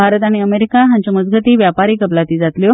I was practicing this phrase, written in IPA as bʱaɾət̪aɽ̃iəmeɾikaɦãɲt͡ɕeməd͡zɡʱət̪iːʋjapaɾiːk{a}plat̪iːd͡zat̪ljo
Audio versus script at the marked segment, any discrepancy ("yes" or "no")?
yes